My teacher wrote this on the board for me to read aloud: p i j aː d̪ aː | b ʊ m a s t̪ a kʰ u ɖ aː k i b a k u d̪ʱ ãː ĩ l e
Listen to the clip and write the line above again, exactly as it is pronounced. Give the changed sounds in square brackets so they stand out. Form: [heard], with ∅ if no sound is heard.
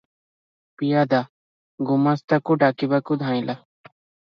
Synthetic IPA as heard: p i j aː d̪ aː | [ɡ] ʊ m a s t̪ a [k] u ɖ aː k i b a k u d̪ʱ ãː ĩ l [a]